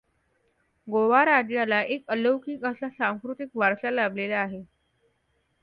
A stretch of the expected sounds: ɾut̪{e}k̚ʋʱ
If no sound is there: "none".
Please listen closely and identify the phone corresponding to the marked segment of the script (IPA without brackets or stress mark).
i